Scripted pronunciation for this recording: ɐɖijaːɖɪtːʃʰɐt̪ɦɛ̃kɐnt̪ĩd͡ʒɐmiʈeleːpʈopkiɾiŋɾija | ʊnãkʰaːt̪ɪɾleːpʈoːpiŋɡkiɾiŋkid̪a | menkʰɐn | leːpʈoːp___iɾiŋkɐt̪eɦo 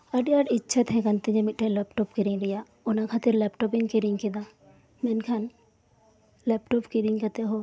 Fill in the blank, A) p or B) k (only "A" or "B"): B